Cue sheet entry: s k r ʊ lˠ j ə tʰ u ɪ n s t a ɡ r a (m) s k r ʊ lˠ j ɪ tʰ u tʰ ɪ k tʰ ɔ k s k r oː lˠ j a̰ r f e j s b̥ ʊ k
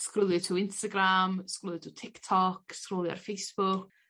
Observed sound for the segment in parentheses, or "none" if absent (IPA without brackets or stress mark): m